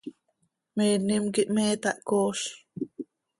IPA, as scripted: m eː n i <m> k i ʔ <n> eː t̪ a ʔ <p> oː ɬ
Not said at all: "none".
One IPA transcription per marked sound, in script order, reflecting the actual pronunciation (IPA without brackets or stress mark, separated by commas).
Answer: m, m, k